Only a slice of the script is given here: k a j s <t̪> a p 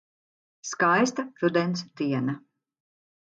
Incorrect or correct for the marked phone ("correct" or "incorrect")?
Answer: correct